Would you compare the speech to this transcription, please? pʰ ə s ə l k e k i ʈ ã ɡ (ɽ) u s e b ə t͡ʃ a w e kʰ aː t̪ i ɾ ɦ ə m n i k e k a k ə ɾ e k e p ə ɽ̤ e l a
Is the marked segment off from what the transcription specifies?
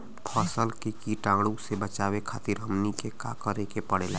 no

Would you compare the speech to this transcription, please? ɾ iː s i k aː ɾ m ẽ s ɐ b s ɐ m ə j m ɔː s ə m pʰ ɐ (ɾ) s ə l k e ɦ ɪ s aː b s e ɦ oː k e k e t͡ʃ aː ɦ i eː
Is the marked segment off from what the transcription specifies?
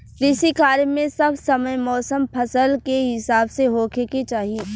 yes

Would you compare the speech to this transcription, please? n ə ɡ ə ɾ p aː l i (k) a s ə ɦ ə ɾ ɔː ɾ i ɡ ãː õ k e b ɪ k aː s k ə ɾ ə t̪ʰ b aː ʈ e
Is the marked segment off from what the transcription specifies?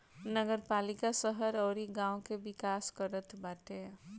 no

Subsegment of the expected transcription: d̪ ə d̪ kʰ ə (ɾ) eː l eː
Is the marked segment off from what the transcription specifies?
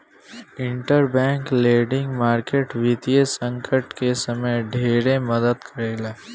no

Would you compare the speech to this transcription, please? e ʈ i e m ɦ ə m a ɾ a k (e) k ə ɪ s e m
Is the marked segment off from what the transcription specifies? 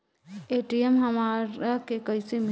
no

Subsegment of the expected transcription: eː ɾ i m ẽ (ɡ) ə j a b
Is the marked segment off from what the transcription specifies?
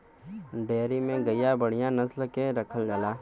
no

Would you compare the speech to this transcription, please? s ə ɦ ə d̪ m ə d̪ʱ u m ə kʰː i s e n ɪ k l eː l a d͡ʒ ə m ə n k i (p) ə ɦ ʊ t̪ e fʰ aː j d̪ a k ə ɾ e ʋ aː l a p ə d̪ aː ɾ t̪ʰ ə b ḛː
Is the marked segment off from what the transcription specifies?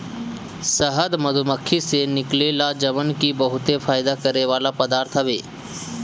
yes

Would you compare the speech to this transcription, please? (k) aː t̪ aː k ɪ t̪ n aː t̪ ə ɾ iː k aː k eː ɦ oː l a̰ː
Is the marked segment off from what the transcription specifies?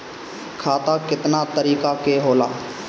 yes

